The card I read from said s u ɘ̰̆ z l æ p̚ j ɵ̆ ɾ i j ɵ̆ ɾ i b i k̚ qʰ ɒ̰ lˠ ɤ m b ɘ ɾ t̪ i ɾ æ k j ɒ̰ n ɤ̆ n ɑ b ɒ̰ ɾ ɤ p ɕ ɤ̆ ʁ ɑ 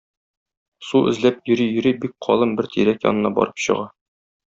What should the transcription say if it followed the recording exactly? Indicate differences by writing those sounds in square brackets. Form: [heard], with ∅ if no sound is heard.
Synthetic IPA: s u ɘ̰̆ z l æ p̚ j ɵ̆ ɾ i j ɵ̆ ɾ i b i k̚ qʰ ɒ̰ lˠ ɤ m b ɘ ɾ t̪ i ɾ æ k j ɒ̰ n ɤ̆ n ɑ b ɒ̰ ɾ ɤ p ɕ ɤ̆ ʁ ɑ

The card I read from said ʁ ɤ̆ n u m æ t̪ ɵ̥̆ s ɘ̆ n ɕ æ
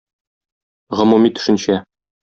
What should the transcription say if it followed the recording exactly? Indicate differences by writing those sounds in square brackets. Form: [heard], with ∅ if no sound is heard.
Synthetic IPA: ʁ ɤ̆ [m] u m [i] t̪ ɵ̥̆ [ʃ] ɘ̆ n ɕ æ

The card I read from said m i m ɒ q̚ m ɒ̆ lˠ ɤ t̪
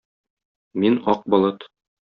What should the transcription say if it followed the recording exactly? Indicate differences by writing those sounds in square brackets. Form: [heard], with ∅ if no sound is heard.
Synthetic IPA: m i [n] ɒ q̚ [b] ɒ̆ lˠ ɤ t̪

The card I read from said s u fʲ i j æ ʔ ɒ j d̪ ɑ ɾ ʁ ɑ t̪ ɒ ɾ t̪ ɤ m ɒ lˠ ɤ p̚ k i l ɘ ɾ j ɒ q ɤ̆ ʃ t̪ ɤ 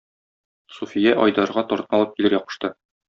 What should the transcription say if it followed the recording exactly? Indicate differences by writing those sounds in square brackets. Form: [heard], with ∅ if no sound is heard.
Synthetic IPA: s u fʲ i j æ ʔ ɒ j d̪ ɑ ɾ ʁ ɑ t̪ ɒ ɾ t̪ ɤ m ɒ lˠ ɤ p̚ k i l ɘ ɾ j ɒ q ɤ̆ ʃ t̪ ɤ

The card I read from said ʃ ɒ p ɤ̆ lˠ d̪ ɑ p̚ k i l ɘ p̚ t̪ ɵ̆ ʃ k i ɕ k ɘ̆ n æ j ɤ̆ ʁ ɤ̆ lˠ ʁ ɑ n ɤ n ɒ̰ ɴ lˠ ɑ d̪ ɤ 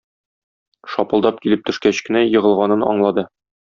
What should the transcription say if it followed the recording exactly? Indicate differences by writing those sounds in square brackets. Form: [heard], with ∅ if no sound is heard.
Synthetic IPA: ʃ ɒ p ɤ̆ lˠ d̪ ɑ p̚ k i l ɘ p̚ t̪ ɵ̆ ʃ k [æ] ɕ k ɘ̆ n æ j ɤ̆ ʁ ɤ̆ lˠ ʁ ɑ n ɤ n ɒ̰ ɴ lˠ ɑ d̪ ɤ

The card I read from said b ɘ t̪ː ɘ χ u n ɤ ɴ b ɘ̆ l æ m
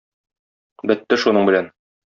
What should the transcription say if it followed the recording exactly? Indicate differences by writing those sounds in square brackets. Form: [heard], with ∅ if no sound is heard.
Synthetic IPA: b ɘ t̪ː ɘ [ʃ] u n ɤ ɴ b ɘ̆ l æ [n]

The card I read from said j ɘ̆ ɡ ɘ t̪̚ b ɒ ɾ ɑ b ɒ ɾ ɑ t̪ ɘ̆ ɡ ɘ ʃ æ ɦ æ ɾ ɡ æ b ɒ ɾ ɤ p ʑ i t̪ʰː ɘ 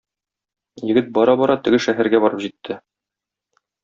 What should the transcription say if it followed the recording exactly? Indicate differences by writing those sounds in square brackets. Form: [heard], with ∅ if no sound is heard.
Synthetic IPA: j ɘ̆ ɡ ɘ t̪̚ b ɒ ɾ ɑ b ɒ ɾ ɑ t̪ ɘ̆ ɡ ɘ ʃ æ ɦ æ ɾ ɡ æ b ɒ ɾ ɤ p ʑ i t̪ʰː ɘ

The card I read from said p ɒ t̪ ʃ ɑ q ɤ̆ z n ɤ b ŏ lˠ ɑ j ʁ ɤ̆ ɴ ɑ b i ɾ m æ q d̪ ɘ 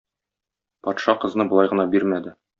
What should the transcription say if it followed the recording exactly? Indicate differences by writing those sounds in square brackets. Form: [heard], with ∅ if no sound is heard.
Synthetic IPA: p ɒ t̪ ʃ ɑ q ɤ̆ z n ɤ b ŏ lˠ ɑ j ʁ ɤ̆ [n] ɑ b i ɾ m æ [∅] d̪ ɘ

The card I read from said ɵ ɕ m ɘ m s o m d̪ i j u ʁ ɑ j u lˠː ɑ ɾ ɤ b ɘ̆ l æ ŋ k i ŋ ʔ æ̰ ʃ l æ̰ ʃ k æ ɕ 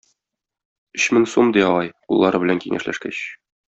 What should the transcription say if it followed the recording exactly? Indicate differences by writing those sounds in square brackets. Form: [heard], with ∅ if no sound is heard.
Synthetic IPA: ɵ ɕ m ɘ [ŋ] s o m d̪ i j [ɒ] ʁ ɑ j u lˠː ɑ ɾ ɤ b ɘ̆ l æ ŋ k i ŋ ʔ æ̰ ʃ l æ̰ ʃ k æ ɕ

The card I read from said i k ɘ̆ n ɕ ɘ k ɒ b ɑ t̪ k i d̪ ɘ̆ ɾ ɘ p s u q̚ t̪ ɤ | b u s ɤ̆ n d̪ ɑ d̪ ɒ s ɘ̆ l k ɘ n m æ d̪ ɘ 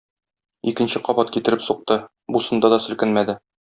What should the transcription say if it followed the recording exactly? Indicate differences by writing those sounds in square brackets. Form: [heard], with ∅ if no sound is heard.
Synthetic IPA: i k ɘ̆ n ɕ ɘ [q] ɒ b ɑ t̪ k i [t̪] ɘ̆ ɾ ɘ p s u q̚ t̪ ɤ | b u s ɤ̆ n d̪ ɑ d̪ ɒ s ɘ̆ l k ɘ n m æ d̪ ɘ

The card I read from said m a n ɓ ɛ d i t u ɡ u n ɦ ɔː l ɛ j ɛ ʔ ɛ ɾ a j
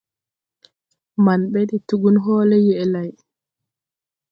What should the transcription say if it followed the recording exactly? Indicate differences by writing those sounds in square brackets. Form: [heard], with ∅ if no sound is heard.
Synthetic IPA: m a n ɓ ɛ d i t u ɡ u n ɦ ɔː l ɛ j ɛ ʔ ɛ [l] a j

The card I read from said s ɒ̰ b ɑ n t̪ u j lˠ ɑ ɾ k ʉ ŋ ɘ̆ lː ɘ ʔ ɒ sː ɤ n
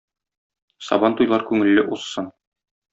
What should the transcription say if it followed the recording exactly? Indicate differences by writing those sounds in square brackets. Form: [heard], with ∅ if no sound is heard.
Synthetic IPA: s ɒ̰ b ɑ n t̪ u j lˠ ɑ ɾ k ʉ ŋ ɘ̆ lː ɘ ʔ [u] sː ɤ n

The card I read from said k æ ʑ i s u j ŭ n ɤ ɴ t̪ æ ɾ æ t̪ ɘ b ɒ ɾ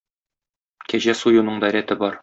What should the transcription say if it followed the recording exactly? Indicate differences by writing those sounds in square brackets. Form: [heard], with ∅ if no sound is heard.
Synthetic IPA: k æ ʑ [æ] s u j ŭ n ɤ ɴ [d̪] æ ɾ æ t̪ ɘ b ɒ ɾ

